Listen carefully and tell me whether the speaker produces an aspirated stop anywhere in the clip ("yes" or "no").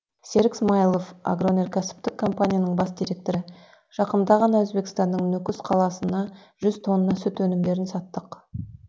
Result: yes